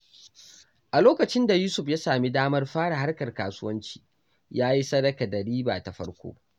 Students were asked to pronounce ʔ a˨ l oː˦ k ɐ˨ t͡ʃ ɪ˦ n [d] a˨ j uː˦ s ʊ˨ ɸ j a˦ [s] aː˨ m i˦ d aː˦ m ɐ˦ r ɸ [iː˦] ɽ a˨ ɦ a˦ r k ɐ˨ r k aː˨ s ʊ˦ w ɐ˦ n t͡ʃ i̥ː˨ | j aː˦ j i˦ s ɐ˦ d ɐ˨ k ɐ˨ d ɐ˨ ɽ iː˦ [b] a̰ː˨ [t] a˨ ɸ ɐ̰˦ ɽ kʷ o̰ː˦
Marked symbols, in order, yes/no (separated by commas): yes, yes, no, yes, yes